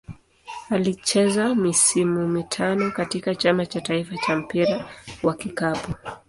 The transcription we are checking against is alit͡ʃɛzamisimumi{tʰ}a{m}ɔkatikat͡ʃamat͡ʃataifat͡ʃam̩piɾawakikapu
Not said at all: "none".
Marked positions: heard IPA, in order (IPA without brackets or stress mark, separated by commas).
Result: tʰ, n